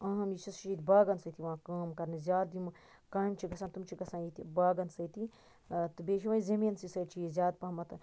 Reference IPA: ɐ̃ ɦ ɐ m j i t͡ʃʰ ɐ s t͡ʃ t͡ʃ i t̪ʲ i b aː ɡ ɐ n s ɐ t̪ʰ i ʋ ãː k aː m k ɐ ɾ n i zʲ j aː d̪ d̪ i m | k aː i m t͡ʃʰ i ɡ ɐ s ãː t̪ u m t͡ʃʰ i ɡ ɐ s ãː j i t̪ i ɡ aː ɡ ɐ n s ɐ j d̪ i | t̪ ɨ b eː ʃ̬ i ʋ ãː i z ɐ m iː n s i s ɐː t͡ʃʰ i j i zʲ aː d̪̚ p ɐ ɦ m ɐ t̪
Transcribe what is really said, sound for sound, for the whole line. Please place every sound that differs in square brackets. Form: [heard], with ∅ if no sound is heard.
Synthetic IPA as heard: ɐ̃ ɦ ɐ m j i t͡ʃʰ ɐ s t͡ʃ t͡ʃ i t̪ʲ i b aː ɡ ɐ n s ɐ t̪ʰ i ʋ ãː k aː m k ɐ ɾ n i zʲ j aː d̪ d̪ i m | k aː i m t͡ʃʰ i ɡ ɐ s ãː t̪ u m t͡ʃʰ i ɡ ɐ s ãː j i t̪ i [b] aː ɡ ɐ n s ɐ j [t̪] i | t̪ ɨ b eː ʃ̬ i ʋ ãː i z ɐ m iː n s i s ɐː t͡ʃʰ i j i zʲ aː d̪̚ p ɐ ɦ m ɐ t̪